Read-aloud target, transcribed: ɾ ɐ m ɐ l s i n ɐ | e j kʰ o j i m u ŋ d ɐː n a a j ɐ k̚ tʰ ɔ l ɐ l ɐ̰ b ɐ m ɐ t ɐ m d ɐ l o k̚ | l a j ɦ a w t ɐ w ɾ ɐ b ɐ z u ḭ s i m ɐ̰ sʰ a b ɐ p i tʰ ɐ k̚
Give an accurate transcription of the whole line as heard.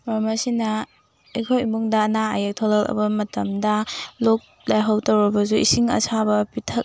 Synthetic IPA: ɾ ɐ m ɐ s i n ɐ | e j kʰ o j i m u ŋ d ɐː n a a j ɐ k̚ tʰ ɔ l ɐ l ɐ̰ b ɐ m ɐ t ɐ m d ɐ l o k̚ | l a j ɦ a w t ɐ w ɾ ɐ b ɐ z u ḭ s i ŋ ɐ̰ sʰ a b ɐ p i tʰ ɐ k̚

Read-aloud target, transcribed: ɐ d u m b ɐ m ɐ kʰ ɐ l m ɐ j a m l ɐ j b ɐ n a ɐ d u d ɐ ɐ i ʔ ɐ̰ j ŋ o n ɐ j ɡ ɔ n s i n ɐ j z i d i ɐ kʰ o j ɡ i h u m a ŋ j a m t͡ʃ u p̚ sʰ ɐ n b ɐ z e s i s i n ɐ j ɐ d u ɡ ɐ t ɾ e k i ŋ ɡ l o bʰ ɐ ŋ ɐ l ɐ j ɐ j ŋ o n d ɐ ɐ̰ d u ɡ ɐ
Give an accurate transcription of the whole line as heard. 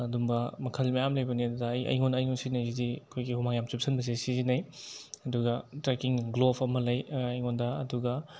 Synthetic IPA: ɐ d u m b ɐ m ɐ kʰ ɐ l m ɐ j a m l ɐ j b ɐ n i ɐ d u d ɐ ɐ j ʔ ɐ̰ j ŋ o n ɐ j ŋ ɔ n s i n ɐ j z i d i ɐ kʰ o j ɡ i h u m a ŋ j a m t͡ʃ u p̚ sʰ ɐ n b ɐ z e s i z i n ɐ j ɐ d u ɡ ɐ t ɾ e k i ŋ ɡ l o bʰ ɐ m ɐ l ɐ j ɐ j ŋ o n d ɐ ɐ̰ d u ɡ ɐ

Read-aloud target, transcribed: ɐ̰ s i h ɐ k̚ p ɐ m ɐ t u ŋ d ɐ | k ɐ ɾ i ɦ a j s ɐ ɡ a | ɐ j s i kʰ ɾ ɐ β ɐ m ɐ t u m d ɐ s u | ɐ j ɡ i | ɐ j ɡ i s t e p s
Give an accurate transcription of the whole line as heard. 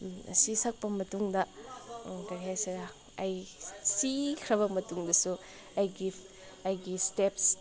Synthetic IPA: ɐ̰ s i s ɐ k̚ p ɐ m ɐ t u ŋ d ɐ | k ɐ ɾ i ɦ a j s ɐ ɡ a | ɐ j s i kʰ ɾ ɐ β ɐ m ɐ t u ŋ d ɐ s u | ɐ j ɡ i | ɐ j ɡ i s t e p s

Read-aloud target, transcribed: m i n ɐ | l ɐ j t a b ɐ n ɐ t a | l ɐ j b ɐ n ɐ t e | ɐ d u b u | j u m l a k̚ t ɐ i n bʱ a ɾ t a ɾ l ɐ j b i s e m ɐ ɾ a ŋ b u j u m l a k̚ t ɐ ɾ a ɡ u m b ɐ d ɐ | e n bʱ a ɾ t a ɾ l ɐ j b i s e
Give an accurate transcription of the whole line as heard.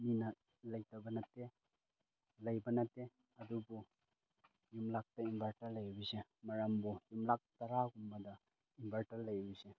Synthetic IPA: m i n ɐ | l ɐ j t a b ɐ n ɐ t e | l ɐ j b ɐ n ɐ t e | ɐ d u b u | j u m l a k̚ t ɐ i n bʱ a ɾ t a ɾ l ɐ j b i s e m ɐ ɾ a m b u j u m l a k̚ t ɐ ɾ a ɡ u m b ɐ d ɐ | i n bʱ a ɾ t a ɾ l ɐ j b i s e

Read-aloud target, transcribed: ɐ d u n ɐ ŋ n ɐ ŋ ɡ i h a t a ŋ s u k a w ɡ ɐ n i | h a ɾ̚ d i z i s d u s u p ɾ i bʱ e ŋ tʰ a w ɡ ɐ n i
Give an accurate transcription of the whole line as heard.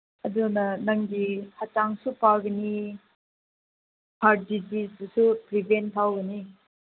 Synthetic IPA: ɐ d u n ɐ n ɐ ŋ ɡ i h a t a ŋ s u p a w ɡ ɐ n i | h a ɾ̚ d i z i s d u s u p ɾ i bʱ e n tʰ a w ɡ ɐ n i

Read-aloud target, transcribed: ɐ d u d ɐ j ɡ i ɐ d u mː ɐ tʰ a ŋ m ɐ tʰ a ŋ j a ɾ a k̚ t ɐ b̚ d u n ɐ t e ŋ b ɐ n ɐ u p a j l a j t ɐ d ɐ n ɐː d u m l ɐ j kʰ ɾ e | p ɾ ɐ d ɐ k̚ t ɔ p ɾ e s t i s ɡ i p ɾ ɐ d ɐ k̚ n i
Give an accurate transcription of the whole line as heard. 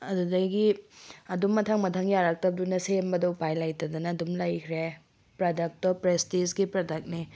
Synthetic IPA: ɐ d u d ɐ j ɡ i ɐ d u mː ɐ tʰ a ŋ m ɐ tʰ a ŋ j a ɾ a k̚ t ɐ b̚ d u n ɐ s e m b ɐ d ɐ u p a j l a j t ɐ d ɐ n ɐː d u m l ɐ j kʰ ɾ e | p ɾ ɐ d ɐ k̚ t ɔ p ɾ e s t i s ɡ i p ɾ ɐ d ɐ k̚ n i

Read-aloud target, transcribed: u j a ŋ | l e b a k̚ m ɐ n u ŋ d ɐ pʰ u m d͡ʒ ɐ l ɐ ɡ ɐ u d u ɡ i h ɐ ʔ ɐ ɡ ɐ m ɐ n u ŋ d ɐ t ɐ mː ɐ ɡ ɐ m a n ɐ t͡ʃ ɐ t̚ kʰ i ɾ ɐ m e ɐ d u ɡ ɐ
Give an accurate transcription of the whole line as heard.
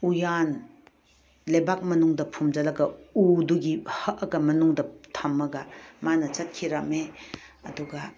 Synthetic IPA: u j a n | l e b a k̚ m ɐ n u ŋ d ɐ pʰ u m d͡ʒ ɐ l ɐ ɡ ɐ u d u ɡ i h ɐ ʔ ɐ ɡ ɐ m ɐ n u ŋ d ɐ tʰ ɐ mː ɐ ɡ ɐ m a n ɐ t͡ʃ ɐ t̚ kʰ i ɾ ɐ m e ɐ d u ɡ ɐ

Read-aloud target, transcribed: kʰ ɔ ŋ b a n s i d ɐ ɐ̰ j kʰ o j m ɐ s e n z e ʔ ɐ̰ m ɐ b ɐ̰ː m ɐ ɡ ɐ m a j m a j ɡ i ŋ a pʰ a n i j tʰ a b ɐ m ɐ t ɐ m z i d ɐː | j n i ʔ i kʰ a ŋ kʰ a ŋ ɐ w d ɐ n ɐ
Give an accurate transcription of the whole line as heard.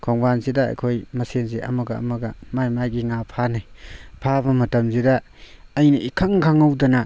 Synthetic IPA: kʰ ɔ ŋ b a n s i d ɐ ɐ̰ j kʰ o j m ɐ s e n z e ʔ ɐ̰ m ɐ ɡ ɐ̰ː m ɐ ɡ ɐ m a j m a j ɡ i ŋ a pʰ a n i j pʰ a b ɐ m ɐ t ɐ m z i d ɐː | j n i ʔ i kʰ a ŋ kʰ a ŋ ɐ w d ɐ n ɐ

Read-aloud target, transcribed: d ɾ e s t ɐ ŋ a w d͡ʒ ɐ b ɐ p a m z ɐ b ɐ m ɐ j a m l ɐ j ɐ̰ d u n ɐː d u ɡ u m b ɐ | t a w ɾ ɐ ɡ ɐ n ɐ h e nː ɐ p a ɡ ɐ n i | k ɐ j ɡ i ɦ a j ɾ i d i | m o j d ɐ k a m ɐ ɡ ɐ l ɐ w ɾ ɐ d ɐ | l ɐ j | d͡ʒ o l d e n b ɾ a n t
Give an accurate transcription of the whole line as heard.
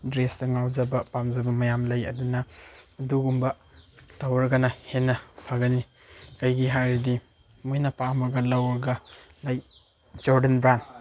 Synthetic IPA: d ɾ e s t ɐ ŋ a w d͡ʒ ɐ b ɐ p a m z ɐ b ɐ m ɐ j a m l ɐ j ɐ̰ d u n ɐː d u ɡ u m b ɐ | t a w ɾ ɐ ɡ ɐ n ɐ h e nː ɐ pʰ a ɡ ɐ n i | k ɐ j ɡ i ɦ a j ɾ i d i | m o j n ɐ p a m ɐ ɡ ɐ l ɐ w ɾ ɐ ɡ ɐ | l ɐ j | d͡ʒ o ɾ d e n b ɾ a n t

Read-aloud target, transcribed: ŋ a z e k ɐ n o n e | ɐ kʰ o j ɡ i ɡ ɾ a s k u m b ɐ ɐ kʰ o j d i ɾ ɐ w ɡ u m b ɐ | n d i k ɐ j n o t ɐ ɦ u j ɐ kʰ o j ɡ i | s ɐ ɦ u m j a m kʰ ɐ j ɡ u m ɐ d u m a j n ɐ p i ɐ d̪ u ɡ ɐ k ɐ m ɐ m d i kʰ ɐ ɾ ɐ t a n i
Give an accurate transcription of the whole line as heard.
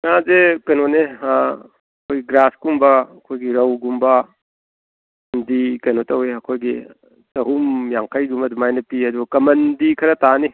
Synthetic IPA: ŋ a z e k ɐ n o n e | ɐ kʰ o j ɡ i ɡ ɾ a s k u m b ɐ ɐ kʰ o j ɡ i ɾ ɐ w ɡ u m b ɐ | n d i k ɐ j n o t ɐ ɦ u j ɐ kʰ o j ɡ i | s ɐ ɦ u m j a ŋ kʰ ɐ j ɡ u m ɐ d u m a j n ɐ p i ɐ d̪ u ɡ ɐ k ɐ m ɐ n d i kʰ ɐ ɾ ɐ t a n i

